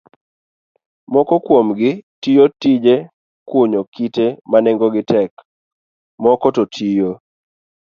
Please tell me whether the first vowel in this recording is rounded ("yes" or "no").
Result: yes